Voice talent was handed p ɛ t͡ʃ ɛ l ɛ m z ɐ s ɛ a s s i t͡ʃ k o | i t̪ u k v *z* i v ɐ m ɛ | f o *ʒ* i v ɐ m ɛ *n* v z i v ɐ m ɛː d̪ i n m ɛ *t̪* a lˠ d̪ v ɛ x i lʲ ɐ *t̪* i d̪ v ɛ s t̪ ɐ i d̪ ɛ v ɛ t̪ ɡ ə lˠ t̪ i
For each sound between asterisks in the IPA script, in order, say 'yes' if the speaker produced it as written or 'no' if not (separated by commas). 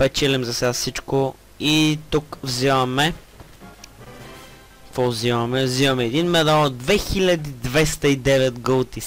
yes, no, no, no, no